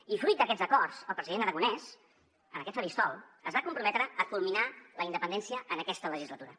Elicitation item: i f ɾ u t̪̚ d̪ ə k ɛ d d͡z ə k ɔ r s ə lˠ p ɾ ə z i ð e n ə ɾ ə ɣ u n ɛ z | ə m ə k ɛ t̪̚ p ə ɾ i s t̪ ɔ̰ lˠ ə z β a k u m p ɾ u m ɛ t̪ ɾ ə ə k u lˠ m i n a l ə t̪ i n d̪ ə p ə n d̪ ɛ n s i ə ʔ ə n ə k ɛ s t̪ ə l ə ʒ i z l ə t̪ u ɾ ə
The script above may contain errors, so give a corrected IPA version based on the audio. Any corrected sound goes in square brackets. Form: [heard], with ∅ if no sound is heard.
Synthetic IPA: i f ɾ u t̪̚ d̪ ə k ɛ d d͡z ə k ɔ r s ə lˠ p ɾ ə z i ð e n ə ɾ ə ɣ u n ɛ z | ə [n] ə k ɛ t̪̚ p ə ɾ i s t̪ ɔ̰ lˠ ə z β a k u m p ɾ u m ɛ t̪ ɾ ə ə k u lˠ m i n a l ə [∅] i n d̪ ə p ə n d̪ ɛ n s i ə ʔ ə n ə k ɛ s t̪ ə l ə ʒ i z l ə t̪ u ɾ ə